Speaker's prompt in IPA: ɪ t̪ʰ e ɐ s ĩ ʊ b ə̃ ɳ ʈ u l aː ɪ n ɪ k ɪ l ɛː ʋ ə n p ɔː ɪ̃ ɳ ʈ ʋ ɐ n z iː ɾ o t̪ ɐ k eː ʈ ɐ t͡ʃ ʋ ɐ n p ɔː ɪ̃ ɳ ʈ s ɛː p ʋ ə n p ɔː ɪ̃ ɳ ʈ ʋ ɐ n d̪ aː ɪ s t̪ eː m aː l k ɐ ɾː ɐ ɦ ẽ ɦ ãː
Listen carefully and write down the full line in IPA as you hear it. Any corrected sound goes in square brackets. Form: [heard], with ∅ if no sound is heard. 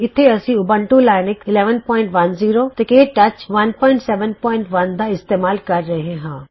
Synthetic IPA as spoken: ɪ t̪ʰ e ɐ s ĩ ʊ b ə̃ ɳ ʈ u l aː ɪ n ɪ k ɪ l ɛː ʋ ə n p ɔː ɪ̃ ɳ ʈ ʋ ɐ n z iː ɾ o t̪ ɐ k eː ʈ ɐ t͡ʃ ʋ ɐ n p ɔː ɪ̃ ɳ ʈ s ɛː [∅] ʋ ə n p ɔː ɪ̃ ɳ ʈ ʋ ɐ n d̪ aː ɪ s t̪ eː m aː l k ɐ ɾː ɐ ɦ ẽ ɦ ãː

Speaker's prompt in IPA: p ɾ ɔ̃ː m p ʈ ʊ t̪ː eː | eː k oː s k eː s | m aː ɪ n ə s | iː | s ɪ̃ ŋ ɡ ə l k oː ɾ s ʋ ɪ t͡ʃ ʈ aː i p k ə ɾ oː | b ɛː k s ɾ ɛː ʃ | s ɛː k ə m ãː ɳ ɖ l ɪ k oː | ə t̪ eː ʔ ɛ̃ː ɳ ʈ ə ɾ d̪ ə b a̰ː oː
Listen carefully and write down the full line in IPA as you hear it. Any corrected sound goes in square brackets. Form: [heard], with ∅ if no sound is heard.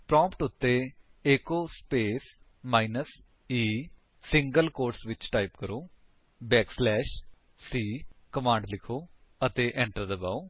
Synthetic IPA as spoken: p ɾ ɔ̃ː m p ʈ ʊ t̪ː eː | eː k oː s [p] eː s | m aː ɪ n ə s | iː | s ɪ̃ ŋ ɡ ə l k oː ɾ s ʋ ɪ t͡ʃ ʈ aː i p k ə ɾ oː | b ɛː k s [l] ɛː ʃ | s [iː] k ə m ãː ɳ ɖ l ɪ [kʰ] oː | ə t̪ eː ʔ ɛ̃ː ɳ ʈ ə ɾ d̪ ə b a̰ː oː

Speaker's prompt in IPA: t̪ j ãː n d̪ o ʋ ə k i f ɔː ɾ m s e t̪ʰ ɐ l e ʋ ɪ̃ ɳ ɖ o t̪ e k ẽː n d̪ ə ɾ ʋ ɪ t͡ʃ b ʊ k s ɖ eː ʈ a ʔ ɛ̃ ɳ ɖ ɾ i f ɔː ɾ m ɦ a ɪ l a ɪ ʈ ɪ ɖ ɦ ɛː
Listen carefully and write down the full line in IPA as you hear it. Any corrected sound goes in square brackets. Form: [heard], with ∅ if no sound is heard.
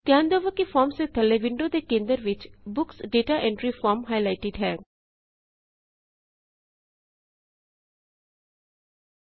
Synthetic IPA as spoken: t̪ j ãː n d̪ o ʋ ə k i f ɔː ɾ m s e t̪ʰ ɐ l e ʋ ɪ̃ ɳ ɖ o [d̪] e k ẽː n d̪ ə ɾ ʋ ɪ t͡ʃ b ʊ k s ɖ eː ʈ a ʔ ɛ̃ ɳ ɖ ɾ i f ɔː ɾ m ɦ a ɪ l a ɪ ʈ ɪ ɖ ɦ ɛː

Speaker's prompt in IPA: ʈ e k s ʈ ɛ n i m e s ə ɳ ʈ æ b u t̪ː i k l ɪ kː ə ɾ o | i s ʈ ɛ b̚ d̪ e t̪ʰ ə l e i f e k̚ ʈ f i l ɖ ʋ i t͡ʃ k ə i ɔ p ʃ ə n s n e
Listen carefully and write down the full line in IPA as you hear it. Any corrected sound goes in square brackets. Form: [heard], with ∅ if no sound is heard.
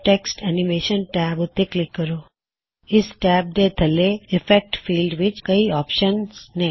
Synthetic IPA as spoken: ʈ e k s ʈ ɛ n i m e [ʃ] ə [n] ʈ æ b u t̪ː [e] k l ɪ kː ə ɾ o | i s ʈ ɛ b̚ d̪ e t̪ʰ ə l e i f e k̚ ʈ f i l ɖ ʋ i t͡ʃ k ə i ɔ p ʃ ə n s n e

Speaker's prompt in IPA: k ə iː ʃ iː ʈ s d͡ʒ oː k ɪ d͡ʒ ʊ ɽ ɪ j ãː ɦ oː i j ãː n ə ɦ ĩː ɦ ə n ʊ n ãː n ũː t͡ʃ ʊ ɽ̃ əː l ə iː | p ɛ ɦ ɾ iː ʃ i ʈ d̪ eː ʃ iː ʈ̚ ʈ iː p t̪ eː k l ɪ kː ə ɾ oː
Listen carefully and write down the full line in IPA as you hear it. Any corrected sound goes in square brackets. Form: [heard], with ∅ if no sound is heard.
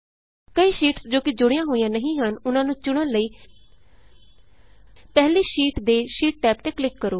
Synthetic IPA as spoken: k ə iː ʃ iː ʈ s d͡ʒ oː k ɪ d͡ʒ ʊ ɽ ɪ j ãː ɦ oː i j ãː n ə ɦ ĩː ɦ ə n ʊ n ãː n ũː t͡ʃ ʊ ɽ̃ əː l ə iː | p ɛ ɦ [l] iː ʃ [iː] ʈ d̪ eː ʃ iː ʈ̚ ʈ [ɛː] p t̪ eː k l ɪ kː ə ɾ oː

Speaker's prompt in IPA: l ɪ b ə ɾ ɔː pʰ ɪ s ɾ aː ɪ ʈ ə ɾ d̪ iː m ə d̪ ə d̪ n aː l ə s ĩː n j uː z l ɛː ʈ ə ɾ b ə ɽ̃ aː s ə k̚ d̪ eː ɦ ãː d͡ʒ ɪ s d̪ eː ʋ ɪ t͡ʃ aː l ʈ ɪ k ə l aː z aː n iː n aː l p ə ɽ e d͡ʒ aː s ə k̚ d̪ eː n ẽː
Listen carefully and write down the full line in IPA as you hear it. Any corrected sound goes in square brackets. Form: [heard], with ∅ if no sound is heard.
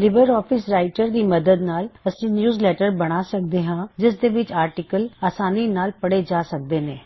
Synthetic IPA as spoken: l ɪ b ə ɾ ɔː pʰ ɪ s ɾ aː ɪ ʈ ə ɾ d̪ iː m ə d̪ ə d̪ n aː l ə s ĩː n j uː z l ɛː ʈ ə ɾ b ə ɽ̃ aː s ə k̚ d̪ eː ɦ ãː d͡ʒ ɪ s d̪ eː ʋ ɪ t͡ʃ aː [ɾ] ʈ ɪ k ə l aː [s] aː n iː n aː l p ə ɽ e d͡ʒ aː s ə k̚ d̪ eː n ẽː

